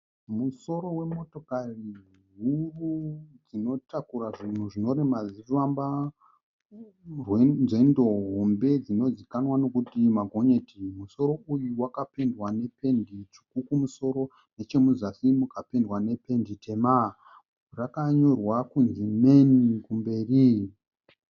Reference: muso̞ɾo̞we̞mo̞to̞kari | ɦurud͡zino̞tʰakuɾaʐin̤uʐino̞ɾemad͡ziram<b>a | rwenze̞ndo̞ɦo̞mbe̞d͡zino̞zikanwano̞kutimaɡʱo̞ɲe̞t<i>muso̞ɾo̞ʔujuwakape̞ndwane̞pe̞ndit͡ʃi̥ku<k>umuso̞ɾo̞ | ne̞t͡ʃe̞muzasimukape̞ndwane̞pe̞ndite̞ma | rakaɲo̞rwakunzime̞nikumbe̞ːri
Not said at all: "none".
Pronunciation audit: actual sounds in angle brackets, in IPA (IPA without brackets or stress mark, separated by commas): b, i, k